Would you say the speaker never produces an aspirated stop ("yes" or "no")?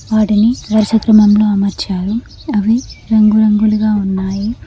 yes